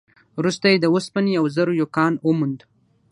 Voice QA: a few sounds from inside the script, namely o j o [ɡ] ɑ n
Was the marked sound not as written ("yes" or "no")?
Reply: yes